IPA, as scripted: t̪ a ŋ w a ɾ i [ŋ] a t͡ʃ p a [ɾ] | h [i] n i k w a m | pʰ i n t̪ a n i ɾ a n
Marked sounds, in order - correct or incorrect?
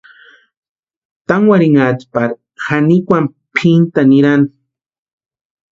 correct, correct, incorrect: a

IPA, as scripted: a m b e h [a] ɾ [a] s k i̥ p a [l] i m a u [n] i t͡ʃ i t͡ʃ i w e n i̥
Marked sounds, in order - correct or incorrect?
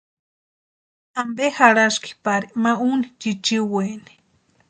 correct, correct, incorrect: ɾ, correct

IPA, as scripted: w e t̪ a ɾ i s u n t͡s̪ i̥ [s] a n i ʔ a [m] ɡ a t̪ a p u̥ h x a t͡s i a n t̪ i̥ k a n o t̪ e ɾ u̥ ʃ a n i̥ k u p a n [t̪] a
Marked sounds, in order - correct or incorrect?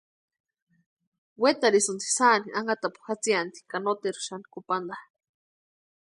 correct, incorrect: ŋ, incorrect: d̪

